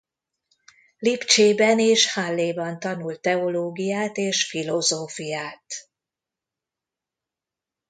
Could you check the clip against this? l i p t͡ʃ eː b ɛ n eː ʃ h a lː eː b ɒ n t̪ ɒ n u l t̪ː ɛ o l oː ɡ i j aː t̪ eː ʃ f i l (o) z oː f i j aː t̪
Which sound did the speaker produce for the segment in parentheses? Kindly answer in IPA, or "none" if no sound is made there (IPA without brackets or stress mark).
o